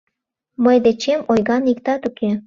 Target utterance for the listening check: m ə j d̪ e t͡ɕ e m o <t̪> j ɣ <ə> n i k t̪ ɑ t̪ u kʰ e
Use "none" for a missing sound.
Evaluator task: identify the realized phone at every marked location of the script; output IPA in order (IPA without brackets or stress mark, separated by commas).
none, ɑ